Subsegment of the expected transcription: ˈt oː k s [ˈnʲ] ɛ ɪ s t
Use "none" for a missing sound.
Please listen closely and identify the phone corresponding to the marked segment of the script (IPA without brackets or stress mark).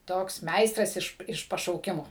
mʲ